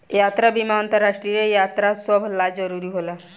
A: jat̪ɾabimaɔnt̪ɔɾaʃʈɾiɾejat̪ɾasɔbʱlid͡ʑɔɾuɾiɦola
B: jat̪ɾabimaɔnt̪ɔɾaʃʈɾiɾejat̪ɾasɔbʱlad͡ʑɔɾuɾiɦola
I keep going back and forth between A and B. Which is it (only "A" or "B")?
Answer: B